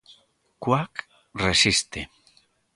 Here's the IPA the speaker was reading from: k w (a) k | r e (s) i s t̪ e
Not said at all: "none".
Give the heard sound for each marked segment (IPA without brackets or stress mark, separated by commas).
a, s